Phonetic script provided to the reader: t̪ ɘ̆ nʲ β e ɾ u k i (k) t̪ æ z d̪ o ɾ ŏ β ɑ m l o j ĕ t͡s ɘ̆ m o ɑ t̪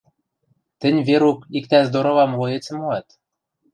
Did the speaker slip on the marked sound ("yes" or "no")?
no